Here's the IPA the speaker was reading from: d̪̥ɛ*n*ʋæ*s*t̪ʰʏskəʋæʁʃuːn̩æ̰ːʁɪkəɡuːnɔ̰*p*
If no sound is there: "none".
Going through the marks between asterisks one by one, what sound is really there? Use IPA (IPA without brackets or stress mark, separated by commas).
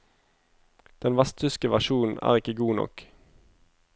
n, s, k